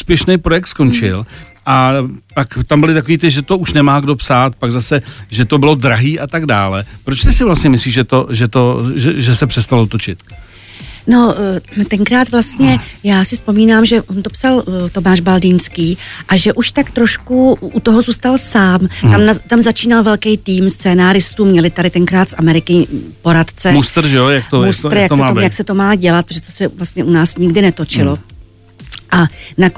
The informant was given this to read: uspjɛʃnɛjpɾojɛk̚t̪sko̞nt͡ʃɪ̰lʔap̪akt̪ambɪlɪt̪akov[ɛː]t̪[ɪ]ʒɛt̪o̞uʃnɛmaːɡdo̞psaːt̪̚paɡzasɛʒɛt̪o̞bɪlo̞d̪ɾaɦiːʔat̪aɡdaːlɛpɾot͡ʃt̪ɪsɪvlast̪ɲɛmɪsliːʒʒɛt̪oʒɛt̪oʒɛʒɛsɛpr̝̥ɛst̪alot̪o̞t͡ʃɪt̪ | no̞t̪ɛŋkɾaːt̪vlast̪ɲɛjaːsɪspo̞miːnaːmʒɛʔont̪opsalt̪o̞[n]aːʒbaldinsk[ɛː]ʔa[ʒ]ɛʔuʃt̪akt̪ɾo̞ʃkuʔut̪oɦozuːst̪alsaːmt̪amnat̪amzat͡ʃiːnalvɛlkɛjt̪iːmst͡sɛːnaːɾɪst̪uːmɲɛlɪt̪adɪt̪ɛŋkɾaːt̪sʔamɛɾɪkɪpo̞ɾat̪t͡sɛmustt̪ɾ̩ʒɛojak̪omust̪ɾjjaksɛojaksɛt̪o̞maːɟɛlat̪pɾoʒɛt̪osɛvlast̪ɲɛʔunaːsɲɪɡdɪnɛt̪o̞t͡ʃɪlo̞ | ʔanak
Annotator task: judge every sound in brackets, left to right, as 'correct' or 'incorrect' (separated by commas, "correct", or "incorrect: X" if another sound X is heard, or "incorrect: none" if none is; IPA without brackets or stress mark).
incorrect: iː, correct, incorrect: m, incorrect: iː, correct